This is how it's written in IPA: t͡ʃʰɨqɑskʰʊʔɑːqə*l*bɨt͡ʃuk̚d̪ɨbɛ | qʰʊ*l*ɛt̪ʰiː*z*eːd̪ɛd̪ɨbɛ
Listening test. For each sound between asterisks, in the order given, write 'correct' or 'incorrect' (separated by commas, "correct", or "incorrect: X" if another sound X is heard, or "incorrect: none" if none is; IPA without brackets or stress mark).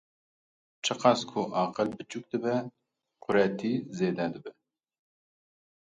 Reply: correct, incorrect: ɾ, correct